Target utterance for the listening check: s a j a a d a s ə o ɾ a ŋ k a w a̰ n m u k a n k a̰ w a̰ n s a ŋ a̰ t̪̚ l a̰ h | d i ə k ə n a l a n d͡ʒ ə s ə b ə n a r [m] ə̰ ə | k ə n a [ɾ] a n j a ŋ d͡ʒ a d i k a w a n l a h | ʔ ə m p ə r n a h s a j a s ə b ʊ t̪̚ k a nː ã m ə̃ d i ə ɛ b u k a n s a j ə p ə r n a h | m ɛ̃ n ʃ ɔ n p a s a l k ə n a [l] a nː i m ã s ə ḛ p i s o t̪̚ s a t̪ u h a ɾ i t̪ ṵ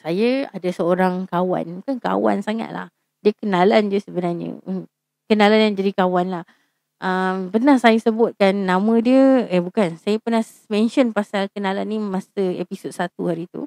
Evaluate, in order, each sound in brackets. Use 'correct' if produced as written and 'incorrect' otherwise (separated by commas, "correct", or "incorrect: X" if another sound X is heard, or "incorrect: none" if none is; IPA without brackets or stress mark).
incorrect: ɲ, incorrect: l, correct